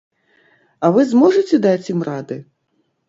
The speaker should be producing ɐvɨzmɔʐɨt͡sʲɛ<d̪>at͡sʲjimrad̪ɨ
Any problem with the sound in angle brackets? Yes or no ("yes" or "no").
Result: no